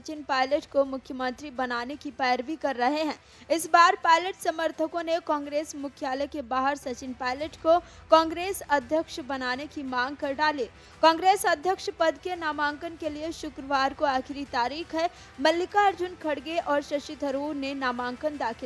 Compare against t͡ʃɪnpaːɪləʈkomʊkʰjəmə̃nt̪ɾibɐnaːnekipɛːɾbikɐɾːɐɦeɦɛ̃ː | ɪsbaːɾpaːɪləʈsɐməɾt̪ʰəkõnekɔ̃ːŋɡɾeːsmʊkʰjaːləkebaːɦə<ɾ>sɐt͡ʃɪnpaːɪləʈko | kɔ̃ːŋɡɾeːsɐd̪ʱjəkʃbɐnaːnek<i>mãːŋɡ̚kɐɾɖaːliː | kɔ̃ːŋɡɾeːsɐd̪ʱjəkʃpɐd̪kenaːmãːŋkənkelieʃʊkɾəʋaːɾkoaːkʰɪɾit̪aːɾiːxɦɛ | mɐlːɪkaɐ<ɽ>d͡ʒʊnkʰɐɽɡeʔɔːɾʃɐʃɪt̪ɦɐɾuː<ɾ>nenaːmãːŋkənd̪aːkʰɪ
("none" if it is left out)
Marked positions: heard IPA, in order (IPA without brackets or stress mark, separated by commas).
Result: ɾ, i, ɾ, ɾ